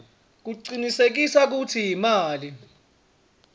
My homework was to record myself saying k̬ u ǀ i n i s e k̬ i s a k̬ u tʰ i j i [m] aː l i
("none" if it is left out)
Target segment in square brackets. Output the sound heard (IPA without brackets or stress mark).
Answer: m